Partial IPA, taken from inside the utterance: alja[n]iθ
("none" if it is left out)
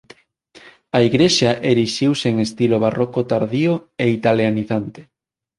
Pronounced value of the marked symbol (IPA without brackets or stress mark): n